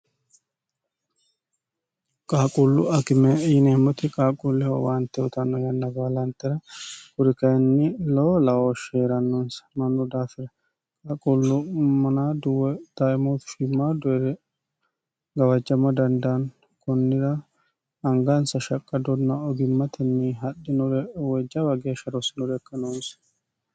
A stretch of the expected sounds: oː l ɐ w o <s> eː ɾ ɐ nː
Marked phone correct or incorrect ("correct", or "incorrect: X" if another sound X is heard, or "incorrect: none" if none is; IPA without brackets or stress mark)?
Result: incorrect: ʃ